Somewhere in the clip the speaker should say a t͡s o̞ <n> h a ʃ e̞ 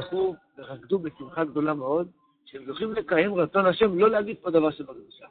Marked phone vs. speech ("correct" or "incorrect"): correct